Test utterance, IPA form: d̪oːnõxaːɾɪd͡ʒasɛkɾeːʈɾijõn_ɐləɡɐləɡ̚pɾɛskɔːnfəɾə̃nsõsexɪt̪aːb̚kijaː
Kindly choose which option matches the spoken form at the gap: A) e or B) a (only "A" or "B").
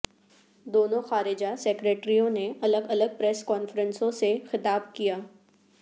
A